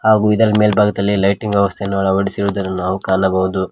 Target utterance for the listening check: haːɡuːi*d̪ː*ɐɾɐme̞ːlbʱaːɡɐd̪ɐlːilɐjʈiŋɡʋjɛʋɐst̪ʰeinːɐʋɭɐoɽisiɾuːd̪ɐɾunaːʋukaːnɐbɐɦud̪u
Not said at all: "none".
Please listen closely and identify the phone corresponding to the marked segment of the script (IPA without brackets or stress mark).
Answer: d̪